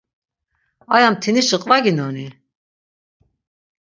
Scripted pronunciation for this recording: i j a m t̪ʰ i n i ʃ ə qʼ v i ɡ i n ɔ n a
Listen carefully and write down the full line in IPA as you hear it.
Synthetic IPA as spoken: a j a m t̪ʰ i n i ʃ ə qʼ v a ɡ i n ɔ n i